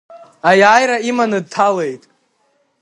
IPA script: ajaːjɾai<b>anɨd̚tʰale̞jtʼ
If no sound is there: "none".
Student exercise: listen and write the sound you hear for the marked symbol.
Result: m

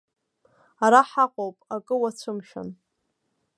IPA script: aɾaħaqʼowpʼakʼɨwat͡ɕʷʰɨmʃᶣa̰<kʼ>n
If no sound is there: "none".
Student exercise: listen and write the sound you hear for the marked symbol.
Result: none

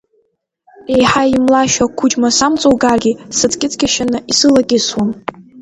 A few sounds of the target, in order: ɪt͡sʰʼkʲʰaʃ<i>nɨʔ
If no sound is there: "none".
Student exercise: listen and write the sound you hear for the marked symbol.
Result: a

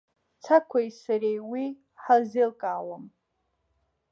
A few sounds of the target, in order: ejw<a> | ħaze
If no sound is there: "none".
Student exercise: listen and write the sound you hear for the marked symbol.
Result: i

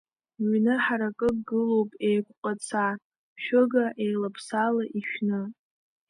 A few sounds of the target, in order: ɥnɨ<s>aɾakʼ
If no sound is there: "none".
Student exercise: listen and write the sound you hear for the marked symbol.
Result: ħ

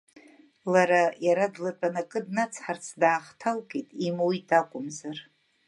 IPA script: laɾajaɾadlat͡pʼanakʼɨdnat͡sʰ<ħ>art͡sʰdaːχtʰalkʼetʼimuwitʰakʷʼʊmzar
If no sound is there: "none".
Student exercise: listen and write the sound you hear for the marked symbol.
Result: ħ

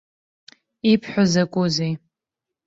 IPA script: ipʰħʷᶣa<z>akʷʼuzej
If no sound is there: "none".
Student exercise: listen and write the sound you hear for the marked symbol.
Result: z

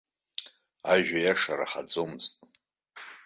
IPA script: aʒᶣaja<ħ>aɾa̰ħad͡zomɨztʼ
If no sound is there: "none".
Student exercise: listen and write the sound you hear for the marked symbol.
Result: ʂ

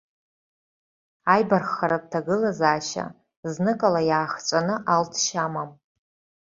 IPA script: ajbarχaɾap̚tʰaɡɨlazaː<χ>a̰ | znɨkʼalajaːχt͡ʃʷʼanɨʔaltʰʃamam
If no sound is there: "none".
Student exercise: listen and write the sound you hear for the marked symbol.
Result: ʃ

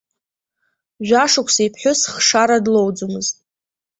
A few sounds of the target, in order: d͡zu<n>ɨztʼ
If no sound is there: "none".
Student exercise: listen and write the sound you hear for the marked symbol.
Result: m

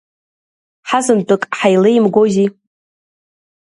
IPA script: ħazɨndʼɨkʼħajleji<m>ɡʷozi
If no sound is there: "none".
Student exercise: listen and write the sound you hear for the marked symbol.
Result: m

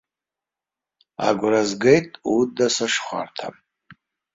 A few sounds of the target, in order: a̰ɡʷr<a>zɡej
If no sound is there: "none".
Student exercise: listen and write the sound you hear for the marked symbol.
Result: a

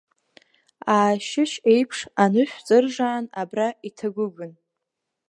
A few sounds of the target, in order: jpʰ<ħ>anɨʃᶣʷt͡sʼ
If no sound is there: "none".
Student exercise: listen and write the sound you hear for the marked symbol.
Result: ʂ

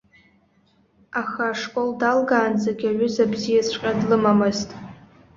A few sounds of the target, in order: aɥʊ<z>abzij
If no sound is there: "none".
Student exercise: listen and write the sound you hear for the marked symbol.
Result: z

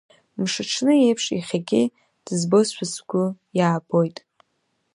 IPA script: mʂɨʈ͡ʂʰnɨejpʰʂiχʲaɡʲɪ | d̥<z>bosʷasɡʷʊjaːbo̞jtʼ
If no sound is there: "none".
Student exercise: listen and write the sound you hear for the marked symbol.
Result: z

